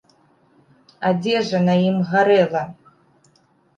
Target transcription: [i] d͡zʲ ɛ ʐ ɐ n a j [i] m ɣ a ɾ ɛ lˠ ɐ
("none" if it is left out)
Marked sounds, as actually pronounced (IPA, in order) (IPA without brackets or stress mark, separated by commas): a, i